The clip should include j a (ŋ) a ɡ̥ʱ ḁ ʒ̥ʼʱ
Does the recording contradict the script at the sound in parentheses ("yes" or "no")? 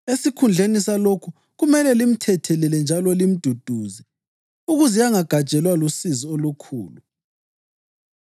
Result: no